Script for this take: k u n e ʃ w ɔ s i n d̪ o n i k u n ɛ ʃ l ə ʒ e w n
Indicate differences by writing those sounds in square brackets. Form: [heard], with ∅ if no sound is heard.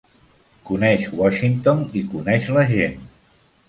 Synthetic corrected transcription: k u n [ɛ] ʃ w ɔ [ʃ] i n [t̪] o n i k u n ɛ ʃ l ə ʒ e [∅] n